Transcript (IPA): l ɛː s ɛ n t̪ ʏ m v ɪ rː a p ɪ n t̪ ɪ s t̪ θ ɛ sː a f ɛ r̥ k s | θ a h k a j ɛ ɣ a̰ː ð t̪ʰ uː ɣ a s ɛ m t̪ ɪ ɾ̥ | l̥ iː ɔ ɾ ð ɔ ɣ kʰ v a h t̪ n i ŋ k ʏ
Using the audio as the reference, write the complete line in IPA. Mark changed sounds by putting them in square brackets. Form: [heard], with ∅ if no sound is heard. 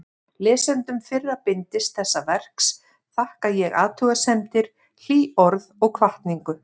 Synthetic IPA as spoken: l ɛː s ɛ n t̪ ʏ m [f] ɪ rː a p ɪ n t̪ ɪ s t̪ θ ɛ sː a [v] ɛ r̥ k s | θ a h k a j ɛ ɣ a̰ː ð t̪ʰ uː ɣ a s ɛ m t̪ ɪ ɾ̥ | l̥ iː ɔ ɾ ð ɔ ɣ kʰ v a h t̪ n i ŋ k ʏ